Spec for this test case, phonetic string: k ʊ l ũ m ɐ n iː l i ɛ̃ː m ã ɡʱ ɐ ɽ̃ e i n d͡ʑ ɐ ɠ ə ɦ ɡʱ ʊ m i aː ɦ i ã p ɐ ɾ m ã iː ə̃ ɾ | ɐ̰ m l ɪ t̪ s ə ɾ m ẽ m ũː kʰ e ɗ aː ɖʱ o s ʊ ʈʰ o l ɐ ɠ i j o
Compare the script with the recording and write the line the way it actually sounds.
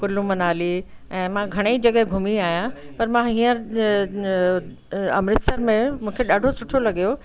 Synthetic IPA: k ʊ l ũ m ɐ n aː l i ɛ̃ː m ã ɡʱ ɐ ɽ̃ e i d͡ʑ ɐ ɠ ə ɦ ɡʱ ʊ m i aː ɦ j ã p ɐ ɾ m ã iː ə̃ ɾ | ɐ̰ m ɾ ɪ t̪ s ə ɾ m ẽ m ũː kʰ e ɗ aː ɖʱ o s ʊ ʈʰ o l ɐ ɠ i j o